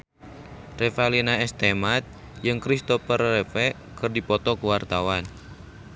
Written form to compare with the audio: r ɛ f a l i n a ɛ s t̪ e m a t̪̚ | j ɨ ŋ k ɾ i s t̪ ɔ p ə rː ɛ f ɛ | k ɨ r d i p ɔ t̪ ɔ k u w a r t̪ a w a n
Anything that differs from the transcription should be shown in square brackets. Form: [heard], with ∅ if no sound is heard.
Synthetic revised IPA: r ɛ f a l i n a ɛ s t̪ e m a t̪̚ | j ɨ ŋ k ɾ i s t̪ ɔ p ə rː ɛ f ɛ | k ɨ r d i p ɔ t̪ ɔ k u w a r t̪ a w a n